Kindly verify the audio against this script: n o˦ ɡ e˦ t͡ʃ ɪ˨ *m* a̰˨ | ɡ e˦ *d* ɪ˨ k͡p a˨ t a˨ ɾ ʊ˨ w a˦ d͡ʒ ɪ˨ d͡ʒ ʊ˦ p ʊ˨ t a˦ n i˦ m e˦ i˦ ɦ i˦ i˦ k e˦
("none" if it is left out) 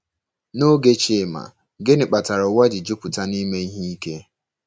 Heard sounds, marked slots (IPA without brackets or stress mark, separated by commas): m, n